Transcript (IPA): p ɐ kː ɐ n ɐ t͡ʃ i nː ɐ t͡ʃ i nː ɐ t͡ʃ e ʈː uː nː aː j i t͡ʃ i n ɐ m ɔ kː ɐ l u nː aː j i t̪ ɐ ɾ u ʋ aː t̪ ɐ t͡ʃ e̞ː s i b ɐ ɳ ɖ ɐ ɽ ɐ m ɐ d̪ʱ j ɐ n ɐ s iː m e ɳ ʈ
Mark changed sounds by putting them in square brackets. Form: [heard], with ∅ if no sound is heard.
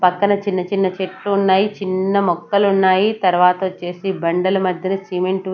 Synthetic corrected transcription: p ɐ kː ɐ n ɐ t͡ʃ i nː ɐ t͡ʃ i nː ɐ t͡ʃ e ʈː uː nː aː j i t͡ʃ i [nː] ɐ m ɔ kː ɐ l u nː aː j i t̪ ɐ ɾ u ʋ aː t̪ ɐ t͡ʃ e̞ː s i b ɐ ɳ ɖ ɐ [l] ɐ m ɐ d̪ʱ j ɐ n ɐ s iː m e ɳ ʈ